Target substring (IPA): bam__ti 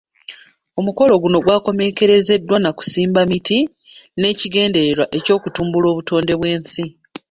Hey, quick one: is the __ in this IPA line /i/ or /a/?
i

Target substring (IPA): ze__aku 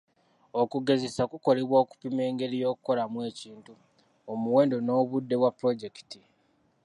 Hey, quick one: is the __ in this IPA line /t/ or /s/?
s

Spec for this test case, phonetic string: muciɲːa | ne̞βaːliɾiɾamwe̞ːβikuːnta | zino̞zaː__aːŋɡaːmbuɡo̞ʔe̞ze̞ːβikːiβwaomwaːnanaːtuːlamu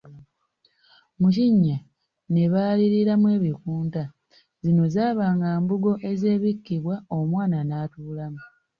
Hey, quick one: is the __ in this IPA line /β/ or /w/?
β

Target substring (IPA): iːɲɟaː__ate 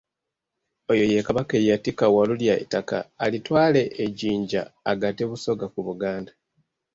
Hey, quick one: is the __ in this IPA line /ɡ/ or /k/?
ɡ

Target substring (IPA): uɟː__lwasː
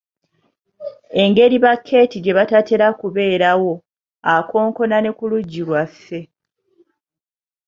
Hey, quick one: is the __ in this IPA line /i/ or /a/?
i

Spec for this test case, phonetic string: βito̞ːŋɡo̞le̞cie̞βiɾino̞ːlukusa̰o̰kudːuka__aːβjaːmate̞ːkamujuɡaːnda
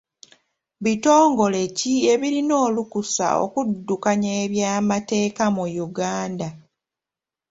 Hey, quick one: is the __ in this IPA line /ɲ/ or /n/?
ɲ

